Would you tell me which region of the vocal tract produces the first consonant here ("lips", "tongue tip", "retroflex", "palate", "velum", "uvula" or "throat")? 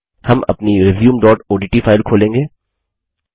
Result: throat